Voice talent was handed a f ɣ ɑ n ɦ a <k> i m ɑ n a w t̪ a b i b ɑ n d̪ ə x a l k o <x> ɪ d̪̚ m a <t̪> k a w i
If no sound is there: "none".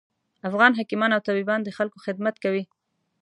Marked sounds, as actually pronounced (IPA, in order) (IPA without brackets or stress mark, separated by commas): k, x, t̪